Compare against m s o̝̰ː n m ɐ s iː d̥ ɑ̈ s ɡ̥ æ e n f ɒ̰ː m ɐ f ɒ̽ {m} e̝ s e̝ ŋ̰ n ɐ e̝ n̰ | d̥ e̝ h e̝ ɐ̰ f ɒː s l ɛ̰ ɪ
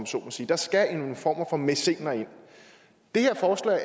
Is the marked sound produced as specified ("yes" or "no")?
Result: yes